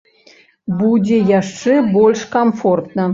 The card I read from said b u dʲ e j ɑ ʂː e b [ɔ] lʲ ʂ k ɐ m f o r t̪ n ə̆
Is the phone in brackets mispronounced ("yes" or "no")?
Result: yes